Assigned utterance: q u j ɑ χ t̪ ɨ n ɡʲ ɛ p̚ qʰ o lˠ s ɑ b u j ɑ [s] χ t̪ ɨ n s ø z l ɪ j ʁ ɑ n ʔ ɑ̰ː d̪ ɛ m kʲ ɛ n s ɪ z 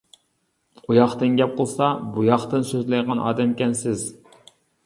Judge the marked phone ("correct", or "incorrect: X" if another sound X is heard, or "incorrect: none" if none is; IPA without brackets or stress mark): incorrect: none